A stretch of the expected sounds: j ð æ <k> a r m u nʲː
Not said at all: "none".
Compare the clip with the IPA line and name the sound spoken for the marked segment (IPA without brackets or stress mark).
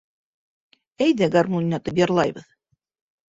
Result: ɡ